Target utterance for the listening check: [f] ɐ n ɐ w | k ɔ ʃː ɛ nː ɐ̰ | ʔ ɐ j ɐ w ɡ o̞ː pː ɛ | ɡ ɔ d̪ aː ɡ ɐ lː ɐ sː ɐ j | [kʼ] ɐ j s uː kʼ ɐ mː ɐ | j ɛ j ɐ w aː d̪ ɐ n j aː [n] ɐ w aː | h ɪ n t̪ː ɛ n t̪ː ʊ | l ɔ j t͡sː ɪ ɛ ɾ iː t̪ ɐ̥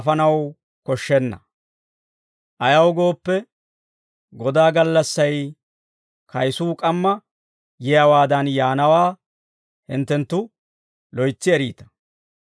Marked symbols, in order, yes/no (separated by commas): yes, no, yes